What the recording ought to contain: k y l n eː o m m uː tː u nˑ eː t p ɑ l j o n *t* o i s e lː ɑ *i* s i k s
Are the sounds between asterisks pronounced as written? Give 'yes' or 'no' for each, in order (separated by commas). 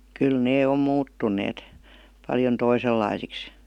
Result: yes, yes